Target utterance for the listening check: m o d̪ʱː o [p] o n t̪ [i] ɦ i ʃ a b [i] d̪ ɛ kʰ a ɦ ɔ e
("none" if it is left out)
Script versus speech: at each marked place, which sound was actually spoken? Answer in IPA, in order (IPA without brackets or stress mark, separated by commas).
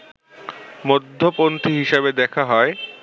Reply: p, i, e